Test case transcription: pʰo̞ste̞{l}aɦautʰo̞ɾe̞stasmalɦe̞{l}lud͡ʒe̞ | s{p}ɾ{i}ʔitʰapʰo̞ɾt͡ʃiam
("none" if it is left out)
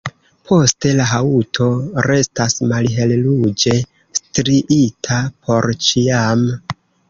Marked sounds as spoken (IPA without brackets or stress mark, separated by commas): l, l, t, i